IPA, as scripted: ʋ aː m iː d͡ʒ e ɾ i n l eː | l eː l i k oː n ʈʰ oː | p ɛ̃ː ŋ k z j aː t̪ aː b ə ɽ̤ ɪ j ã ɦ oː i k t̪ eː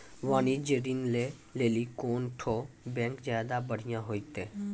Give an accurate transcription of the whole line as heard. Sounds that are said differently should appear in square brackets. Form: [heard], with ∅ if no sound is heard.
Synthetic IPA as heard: ʋ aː [n] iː d͡ʒ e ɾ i n l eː | l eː l i k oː n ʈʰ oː | [b] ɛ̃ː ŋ k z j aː [d̪] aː b ə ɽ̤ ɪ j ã ɦ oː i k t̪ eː